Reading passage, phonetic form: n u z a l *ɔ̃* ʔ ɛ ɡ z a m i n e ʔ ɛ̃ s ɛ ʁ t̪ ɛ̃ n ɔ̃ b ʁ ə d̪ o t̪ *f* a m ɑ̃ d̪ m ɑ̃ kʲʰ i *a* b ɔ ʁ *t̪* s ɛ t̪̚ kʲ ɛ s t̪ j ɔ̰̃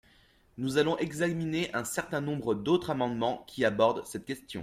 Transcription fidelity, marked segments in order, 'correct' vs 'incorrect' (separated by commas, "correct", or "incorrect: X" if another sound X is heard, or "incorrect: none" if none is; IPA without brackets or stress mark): correct, incorrect: χ, correct, incorrect: d̪